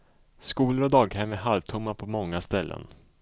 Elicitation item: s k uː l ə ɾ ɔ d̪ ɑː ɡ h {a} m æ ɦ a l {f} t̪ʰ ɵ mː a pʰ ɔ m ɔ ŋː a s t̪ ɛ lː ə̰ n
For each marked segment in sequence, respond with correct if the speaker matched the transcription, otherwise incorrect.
incorrect: ɛ, incorrect: v

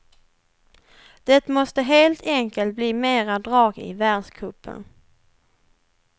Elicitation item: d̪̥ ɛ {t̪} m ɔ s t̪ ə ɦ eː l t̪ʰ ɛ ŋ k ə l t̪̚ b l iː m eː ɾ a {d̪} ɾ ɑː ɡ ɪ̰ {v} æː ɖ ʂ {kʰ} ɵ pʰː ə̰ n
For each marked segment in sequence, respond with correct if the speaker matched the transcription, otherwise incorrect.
correct, correct, correct, correct

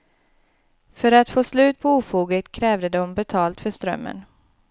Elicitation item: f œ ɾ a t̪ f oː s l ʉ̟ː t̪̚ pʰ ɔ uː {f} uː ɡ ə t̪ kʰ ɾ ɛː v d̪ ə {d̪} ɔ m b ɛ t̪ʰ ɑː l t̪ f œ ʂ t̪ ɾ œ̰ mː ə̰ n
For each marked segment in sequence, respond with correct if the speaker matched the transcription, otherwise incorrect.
correct, correct

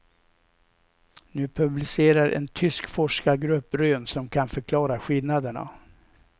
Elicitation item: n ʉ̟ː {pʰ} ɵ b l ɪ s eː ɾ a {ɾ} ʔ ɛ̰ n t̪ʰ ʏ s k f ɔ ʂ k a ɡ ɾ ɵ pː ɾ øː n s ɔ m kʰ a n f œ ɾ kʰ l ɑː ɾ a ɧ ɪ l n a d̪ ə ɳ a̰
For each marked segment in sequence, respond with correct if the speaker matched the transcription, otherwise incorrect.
correct, correct

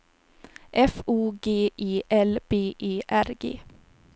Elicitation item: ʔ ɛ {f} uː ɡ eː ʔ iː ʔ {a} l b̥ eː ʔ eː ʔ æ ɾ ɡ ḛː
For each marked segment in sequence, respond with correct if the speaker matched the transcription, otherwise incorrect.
correct, incorrect: ɛ

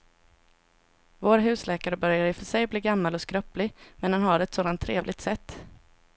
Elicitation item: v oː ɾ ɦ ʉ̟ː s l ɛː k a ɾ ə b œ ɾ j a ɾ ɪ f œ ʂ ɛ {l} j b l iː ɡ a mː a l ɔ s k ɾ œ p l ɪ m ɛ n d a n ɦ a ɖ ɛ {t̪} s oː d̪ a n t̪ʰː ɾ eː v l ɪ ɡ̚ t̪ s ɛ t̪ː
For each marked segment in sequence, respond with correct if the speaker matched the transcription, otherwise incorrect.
incorrect: none, correct

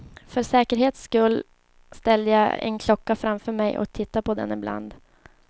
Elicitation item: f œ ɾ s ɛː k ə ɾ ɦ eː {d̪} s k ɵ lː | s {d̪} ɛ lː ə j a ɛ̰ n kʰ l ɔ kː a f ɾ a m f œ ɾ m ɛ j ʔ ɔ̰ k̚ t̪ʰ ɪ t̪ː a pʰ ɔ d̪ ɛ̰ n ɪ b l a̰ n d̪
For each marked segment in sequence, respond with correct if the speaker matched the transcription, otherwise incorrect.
incorrect: t̪, incorrect: t̪

